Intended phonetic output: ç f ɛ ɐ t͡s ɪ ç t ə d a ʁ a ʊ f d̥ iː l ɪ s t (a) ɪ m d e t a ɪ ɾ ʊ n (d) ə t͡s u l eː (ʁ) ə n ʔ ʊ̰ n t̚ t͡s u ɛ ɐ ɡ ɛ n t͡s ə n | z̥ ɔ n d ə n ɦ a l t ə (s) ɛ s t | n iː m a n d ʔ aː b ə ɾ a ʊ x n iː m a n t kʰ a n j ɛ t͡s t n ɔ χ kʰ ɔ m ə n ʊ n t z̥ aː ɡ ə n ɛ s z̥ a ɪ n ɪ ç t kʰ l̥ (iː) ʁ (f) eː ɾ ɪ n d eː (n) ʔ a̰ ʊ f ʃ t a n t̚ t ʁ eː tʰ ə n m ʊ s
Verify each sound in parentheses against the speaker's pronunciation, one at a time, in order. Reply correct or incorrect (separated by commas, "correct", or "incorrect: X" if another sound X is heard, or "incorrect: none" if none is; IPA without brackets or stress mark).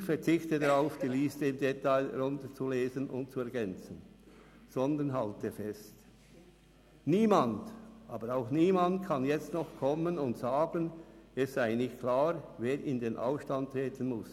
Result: incorrect: ə, incorrect: t, incorrect: z, incorrect: f, incorrect: aː, incorrect: v, correct